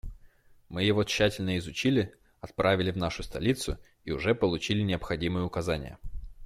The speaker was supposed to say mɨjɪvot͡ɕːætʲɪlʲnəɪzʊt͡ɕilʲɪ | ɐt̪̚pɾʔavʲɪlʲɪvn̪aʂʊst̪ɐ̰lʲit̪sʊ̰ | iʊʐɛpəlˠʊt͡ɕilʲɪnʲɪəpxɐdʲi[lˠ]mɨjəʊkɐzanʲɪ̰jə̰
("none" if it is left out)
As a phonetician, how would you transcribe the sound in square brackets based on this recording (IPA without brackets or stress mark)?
none